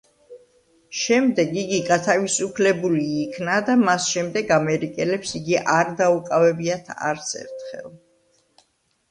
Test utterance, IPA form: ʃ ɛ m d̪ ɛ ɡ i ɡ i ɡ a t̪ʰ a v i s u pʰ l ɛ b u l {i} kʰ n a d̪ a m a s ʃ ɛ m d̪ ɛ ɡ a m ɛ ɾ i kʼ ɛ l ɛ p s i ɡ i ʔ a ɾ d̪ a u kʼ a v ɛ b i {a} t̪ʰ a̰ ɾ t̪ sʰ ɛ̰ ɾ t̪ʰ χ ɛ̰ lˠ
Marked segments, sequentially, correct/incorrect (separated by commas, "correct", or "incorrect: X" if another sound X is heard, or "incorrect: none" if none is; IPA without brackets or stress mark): incorrect: iː, correct